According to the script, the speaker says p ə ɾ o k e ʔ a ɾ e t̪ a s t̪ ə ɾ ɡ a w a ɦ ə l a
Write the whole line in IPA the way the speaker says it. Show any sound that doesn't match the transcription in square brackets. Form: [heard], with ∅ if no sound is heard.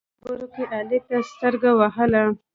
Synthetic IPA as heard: [b] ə ɾ o k e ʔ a [l] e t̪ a s t̪ ə ɾ ɡ a w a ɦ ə l a